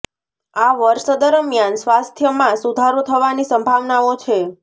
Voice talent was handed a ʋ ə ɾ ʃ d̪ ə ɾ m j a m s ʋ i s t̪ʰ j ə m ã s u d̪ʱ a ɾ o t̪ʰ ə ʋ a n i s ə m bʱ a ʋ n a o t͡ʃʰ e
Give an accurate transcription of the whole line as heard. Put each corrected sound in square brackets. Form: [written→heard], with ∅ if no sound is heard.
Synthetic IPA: a ʋ ə ɾ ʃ d̪ ə ɾ m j a [m→n] s ʋ [i→a] s t̪ʰ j ə m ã s u d̪ʱ a ɾ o t̪ʰ ə ʋ a n i s ə m bʱ a ʋ n a o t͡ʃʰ e